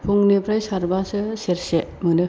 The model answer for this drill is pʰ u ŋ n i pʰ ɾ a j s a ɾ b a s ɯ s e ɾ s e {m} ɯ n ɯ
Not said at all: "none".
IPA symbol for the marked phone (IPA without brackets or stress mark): m